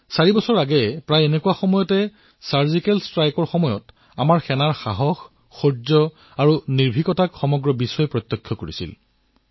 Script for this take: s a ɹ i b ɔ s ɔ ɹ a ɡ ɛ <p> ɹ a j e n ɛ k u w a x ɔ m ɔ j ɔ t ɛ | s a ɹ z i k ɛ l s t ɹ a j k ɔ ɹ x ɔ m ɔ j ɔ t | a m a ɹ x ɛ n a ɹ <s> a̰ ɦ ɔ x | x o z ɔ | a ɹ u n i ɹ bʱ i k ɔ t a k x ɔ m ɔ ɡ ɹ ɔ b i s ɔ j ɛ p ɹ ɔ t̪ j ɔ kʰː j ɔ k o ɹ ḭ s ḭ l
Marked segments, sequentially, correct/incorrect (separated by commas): correct, incorrect